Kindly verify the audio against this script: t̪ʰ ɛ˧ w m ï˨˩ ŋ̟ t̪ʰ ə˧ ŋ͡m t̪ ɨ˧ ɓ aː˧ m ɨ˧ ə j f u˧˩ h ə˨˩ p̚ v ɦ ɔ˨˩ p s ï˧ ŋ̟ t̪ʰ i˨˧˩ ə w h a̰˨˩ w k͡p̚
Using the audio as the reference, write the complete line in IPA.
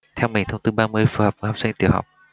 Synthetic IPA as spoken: t̪ʰ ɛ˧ w m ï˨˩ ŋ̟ t̪ʰ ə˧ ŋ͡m t̪ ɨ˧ ɓ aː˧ m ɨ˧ ə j f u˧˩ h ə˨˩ p̚ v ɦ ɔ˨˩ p s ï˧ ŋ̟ t̪ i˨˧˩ ə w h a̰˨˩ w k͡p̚